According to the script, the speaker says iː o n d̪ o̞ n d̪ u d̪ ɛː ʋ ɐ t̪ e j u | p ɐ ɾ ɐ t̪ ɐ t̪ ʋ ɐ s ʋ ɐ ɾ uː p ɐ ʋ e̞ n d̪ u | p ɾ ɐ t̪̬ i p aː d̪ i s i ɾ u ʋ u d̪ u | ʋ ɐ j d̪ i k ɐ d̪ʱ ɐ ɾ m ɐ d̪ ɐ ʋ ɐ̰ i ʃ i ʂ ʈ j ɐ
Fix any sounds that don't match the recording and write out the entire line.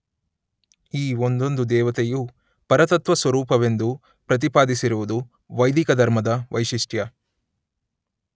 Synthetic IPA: iː o n d̪ o̞ n d̪ u d̪ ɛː ʋ ɐ t̪ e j u | p ɐ ɾ ɐ t̪ ɐ t̪ ʋ ɐ s ʋ ɐ ɾ uː p ɐ ʋ e̞ n d̪ u | p ɾ ɐ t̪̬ i p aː d̪ i s i ɾ u ʋ u d̪ u | ʋ ɐ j d̪ i k ɐ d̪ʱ ɐ ɾ m ɐ d̪ ɐ ʋ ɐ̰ j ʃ i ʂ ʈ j ɐ

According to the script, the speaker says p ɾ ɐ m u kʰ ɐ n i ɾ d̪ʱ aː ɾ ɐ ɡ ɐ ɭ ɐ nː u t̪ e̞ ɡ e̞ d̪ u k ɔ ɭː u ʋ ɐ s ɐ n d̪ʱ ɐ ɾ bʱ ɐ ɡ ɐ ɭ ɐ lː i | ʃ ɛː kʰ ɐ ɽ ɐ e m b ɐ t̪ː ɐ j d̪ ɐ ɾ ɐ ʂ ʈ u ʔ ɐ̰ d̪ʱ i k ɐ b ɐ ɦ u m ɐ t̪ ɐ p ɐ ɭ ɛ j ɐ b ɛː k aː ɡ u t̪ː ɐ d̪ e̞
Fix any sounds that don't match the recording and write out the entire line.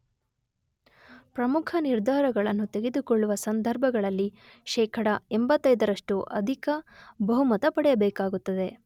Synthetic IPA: p ɾ ɐ m u kʰ ɐ n i ɾ d̪ʱ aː ɾ ɐ ɡ ɐ ɭ ɐ nː u t̪ e̞ ɡ e̞ d̪ u k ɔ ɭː u ʋ ɐ s ɐ n d̪ʱ ɐ ɾ bʱ ɐ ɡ ɐ ɭ ɐ lː i | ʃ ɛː kʰ ɐ ɽ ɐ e m b ɐ t̪ː ɐ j d̪ ɐ ɾ ɐ ʂ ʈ u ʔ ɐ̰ d̪ʱ i k ɐ b ɐ ɦ u m ɐ t̪ ɐ p ɐ ɽ ɛ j ɐ b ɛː k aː ɡ u t̪ː ɐ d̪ e̞

